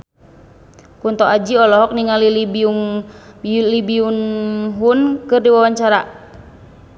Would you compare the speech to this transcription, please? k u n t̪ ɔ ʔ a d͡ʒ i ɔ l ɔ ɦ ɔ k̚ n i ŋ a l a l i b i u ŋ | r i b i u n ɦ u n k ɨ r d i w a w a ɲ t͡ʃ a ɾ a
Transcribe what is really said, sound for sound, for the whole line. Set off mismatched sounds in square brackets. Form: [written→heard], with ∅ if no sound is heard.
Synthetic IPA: k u n t̪ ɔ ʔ a d͡ʒ i ɔ l ɔ ɦ ɔ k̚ n i ŋ a l [a→i] l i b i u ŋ | [r→l] i b i u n ɦ u n k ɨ r d i w a w a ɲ t͡ʃ a ɾ a